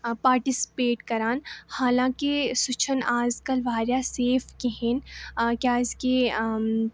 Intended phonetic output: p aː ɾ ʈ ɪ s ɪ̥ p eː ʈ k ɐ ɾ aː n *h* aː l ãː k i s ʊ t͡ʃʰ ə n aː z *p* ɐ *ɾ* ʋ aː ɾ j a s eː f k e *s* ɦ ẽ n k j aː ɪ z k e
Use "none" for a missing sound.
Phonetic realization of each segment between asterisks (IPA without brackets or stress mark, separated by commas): h, k, l, none